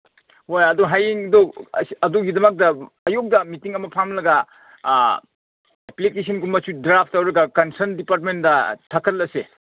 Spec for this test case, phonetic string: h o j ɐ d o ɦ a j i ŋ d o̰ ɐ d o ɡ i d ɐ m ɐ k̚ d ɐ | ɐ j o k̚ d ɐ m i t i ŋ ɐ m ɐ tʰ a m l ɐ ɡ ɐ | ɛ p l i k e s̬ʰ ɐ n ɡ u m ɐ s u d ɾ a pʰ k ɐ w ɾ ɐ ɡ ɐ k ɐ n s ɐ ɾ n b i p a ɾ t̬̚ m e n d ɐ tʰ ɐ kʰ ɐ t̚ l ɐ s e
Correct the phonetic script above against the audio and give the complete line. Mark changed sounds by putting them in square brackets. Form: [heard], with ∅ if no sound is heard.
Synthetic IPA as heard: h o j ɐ d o ɦ a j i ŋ d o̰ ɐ d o ɡ i d ɐ m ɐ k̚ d ɐ | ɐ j o k̚ d ɐ m i t i ŋ ɐ m ɐ [pʰ] a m l ɐ ɡ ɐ | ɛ p l i k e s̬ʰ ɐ n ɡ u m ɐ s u d ɾ a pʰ [t] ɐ w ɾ ɐ ɡ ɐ k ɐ n s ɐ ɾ n [d] i p a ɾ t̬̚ m e n d ɐ tʰ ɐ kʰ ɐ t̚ l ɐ s e